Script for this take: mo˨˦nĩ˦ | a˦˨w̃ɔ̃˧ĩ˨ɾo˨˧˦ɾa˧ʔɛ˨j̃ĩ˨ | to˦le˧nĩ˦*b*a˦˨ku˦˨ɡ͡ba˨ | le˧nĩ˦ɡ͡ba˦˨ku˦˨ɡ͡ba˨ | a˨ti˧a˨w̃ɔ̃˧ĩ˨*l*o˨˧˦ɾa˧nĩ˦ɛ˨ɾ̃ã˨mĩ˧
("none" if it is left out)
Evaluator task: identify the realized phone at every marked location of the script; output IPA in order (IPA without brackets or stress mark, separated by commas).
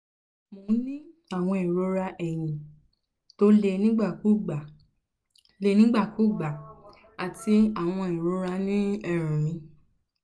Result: ɡ͡b, ɾ